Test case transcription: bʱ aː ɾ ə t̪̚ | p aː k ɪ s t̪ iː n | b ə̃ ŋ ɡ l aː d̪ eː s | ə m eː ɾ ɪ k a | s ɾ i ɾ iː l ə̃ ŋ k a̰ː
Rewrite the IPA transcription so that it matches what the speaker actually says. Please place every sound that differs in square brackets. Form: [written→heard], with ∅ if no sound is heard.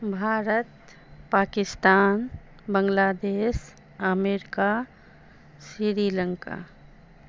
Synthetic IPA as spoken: bʱ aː ɾ ə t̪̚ | p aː k ɪ s t̪ [iː→aː] n | b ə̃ ŋ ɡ l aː d̪ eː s | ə m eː ɾ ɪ k a | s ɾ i ɾ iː l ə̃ ŋ k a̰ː